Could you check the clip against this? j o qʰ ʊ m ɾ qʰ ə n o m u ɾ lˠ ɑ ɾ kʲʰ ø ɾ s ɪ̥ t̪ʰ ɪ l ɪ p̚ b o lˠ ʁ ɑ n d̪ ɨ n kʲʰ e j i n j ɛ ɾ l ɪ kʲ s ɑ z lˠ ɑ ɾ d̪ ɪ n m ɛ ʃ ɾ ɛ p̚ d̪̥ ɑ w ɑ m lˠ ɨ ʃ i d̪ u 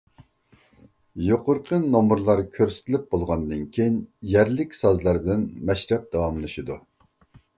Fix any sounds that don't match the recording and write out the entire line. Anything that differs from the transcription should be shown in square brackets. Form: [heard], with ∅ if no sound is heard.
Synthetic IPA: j o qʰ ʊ [∅] ɾ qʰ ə n o m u ɾ lˠ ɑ ɾ kʲʰ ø ɾ s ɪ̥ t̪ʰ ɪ l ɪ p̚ b o lˠ ʁ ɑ n d̪ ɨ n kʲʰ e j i n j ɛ ɾ l ɪ kʲ s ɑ z lˠ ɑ ɾ d̪ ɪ n m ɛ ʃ ɾ ɛ p̚ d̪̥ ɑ w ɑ m lˠ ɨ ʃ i d̪ u